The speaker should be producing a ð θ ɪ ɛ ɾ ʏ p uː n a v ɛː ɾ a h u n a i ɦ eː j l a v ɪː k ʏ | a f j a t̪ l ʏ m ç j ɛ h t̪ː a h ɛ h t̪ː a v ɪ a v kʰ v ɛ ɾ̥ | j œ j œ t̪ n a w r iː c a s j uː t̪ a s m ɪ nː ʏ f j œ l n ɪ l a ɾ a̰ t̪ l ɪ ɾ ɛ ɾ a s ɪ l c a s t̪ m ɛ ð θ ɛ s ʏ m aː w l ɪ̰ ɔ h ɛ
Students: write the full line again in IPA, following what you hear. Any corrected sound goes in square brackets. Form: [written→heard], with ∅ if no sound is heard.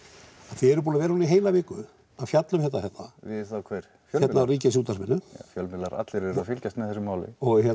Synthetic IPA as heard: a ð θ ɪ ɛ ɾ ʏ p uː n a v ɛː ɾ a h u n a i ɦ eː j l a v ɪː k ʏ | a f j a t̪ l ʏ m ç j ɛ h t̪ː a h ɛ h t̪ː a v ɪ a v kʰ v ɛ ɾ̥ | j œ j [œ→ɛ] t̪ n a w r iː c a s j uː t̪ a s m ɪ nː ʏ f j œ l [n→m] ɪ l a ɾ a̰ t̪ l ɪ ɾ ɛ ɾ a [s→f] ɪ l c a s t̪ m ɛ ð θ ɛ s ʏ m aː w l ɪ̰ ɔ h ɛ